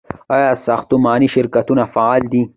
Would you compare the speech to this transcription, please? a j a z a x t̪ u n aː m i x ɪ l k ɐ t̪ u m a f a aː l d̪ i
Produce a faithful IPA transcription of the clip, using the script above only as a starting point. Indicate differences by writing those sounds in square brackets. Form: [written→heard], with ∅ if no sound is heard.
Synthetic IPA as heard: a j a [z→s] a x t̪ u [n→m] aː [m→n] i [x→ʃ] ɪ [l→ɾ] k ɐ t̪ u [m→n] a f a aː l d̪ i